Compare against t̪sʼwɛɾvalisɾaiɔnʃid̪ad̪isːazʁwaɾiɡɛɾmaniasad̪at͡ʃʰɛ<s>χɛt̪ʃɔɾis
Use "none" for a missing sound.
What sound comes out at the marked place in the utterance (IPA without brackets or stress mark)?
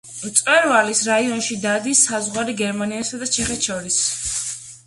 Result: none